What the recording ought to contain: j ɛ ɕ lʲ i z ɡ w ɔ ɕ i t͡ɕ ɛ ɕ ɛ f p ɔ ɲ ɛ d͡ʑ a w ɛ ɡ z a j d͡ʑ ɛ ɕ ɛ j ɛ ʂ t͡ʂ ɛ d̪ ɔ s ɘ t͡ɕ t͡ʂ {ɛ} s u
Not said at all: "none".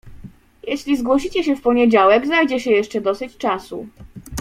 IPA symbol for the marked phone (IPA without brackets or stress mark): a